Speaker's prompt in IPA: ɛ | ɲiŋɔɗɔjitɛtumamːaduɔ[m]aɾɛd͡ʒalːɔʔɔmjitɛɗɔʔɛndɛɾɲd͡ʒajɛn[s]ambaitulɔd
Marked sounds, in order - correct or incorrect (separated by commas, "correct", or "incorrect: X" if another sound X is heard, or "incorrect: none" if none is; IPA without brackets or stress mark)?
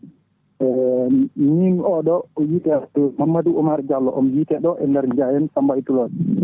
correct, correct